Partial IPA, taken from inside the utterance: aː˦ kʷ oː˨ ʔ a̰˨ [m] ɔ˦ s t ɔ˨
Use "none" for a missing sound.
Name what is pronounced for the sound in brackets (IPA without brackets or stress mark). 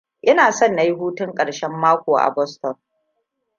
b